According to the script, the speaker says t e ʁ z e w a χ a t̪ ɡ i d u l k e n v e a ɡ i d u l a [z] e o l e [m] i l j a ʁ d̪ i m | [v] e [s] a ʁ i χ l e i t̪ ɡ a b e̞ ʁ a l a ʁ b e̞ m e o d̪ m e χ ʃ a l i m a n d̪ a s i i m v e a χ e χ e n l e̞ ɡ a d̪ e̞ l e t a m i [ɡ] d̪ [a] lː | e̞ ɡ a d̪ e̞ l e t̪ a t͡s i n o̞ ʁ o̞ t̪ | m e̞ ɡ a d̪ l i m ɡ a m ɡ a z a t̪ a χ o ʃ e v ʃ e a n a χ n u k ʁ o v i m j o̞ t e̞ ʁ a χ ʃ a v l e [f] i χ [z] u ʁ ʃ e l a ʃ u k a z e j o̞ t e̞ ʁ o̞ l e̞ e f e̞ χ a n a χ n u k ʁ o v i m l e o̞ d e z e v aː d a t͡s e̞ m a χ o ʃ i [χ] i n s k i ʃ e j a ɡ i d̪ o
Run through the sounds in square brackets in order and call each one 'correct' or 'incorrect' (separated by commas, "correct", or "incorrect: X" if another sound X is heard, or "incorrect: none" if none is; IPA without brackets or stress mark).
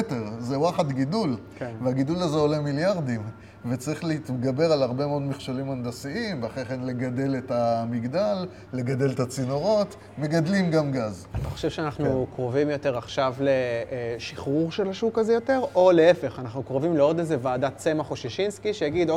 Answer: correct, correct, correct, incorrect: t͡s, correct, correct, incorrect: ʃ, incorrect: ʁ, incorrect: ʃ